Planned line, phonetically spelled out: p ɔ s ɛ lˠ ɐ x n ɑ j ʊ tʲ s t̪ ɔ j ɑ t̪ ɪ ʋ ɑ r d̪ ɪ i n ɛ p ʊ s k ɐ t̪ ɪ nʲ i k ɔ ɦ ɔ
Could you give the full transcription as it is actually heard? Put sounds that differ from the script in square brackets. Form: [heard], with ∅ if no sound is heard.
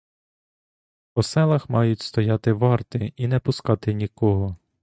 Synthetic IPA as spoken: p ɔ s ɛ lˠ ɐ x [m] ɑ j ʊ tʲ s t̪ ɔ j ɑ t̪ ɪ ʋ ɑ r [t̪] ɪ i n ɛ p ʊ s k [ɑ] t̪ ɪ nʲ i k ɔ ɦ ɔ